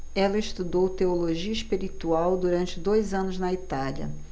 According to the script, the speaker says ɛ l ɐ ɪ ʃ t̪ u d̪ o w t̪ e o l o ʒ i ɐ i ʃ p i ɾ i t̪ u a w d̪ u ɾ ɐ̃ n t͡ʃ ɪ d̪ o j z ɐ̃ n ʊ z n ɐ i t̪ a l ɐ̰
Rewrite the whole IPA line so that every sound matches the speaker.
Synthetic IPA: ɛ l ɐ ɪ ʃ t̪ u d̪ o w t̪ e o l o ʒ i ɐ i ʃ p i ɾ i t̪ u a w d̪ u ɾ ɐ̃ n t͡ʃ ɪ d̪ o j z ɐ̃ n ʊ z n ɐ i t̪ a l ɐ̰